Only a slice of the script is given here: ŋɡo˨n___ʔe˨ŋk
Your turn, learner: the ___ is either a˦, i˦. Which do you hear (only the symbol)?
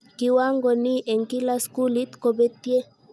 i˦